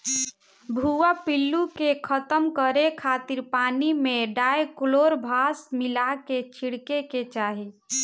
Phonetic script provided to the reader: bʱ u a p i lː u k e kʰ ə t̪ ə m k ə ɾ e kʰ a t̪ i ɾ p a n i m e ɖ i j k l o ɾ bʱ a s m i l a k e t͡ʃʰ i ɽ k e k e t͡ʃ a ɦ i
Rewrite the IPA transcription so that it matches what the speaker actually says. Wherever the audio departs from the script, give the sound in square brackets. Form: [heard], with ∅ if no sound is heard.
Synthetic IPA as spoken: bʱ u a p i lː u k e kʰ ə t̪ ə m k ə ɾ e kʰ a t̪ i ɾ p a n i m e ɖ [a] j k l o ɾ bʱ a s m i l a k e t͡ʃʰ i ɽ k e k e t͡ʃ a ɦ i